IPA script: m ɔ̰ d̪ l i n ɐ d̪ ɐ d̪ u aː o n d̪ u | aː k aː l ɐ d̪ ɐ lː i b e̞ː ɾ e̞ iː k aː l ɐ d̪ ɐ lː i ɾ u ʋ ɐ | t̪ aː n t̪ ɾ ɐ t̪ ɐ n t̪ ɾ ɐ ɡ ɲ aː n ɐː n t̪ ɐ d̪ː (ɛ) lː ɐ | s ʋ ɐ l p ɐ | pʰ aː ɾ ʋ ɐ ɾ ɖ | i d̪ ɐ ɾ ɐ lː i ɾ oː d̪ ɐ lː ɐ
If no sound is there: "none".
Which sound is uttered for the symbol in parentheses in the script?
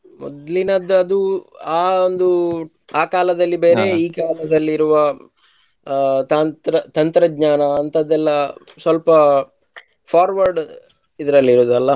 ɛ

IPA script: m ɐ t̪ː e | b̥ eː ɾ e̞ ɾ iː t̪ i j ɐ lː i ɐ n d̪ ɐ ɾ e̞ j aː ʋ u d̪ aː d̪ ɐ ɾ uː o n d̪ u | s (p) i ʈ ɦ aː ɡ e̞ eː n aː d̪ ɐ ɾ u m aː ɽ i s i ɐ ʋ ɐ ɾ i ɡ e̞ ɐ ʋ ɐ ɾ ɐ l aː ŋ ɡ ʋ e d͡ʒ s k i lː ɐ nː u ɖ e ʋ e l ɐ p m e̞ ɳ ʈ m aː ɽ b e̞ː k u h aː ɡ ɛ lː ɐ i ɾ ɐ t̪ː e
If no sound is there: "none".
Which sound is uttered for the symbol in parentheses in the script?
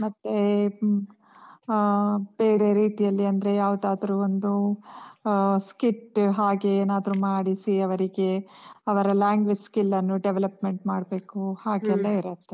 k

